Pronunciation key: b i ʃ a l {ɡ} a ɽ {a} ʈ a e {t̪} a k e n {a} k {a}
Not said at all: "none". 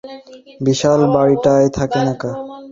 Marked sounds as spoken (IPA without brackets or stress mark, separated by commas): b, i, t̪ʰ, a, a